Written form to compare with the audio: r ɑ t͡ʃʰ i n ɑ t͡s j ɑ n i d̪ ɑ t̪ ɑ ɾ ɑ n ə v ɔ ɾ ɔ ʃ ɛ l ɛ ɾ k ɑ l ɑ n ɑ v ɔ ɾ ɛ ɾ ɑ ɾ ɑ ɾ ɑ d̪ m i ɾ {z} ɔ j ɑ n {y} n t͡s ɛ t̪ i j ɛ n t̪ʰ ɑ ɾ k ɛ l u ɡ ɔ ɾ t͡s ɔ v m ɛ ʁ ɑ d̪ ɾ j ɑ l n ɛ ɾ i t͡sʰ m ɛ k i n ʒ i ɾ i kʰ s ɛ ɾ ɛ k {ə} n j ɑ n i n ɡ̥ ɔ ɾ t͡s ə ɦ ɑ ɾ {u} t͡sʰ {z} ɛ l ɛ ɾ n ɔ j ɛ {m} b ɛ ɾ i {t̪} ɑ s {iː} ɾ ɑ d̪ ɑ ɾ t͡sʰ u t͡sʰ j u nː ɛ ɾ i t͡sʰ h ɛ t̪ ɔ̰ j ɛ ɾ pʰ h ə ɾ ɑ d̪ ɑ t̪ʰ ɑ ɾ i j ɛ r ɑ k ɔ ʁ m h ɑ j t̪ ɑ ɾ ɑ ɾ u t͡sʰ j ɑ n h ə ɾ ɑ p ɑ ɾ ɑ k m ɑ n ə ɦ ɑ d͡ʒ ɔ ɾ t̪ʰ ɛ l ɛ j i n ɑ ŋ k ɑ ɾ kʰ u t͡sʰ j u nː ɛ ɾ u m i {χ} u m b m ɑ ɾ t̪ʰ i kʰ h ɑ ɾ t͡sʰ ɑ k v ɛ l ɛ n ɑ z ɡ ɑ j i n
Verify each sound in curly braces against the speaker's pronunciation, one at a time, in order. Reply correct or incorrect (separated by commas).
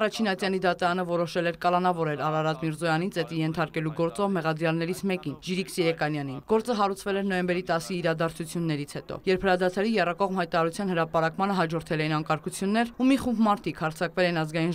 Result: correct, incorrect, incorrect, correct, incorrect, correct, correct, correct, correct